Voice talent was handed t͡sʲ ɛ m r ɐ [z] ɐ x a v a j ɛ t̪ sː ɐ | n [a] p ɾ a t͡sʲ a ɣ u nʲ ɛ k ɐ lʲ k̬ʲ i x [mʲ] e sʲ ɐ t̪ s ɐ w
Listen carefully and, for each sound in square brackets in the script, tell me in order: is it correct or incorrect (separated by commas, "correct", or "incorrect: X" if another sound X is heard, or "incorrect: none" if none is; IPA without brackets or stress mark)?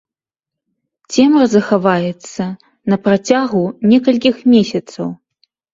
correct, incorrect: ɐ, correct